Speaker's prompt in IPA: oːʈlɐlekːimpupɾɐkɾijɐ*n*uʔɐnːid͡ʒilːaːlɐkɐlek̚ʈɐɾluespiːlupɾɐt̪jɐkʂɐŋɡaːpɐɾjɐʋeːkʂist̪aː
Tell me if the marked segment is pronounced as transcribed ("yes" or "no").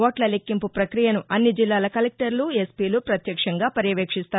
yes